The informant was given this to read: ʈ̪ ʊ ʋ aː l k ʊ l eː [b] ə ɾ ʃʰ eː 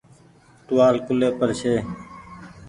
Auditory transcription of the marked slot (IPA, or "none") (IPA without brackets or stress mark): p